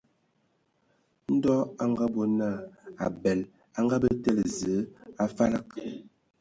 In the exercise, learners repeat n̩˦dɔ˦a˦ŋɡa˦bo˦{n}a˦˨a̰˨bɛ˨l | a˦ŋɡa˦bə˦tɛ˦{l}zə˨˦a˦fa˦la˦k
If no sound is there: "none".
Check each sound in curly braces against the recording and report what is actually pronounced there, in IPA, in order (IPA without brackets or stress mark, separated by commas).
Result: n, l